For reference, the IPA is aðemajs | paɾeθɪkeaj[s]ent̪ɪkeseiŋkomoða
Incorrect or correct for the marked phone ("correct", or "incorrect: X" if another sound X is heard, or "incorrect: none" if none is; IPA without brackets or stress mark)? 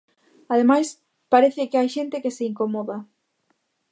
incorrect: ʃ